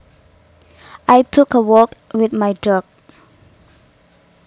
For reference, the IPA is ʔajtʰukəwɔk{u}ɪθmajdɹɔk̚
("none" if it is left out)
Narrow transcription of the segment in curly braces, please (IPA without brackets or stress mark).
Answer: w